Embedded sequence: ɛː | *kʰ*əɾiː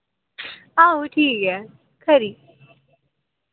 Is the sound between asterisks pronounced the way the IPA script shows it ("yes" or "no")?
yes